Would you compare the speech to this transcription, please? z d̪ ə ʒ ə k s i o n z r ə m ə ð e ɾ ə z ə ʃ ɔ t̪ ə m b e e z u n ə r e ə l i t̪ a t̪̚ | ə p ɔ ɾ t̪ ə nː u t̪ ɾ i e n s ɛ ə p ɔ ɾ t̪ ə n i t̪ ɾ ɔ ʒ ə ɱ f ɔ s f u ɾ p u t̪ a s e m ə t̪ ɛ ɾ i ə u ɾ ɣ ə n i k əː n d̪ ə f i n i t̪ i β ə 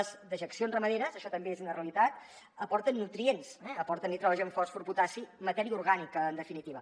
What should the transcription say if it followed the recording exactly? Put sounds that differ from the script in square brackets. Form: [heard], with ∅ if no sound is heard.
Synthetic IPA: z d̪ ə ʒ ə k s i o n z r ə m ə ð e ɾ ə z ə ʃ ɔ t̪ ə m b e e z u n ə r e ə l i t̪ a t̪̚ | ə p ɔ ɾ t̪ ə nː u t̪ ɾ i e n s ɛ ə p ɔ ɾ t̪ ə n i t̪ ɾ ɔ ʒ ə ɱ f ɔ s f u ɾ p u t̪ a s [i] m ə t̪ ɛ ɾ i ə u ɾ ɣ [a] n i k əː n d̪ ə f i n i t̪ i β ə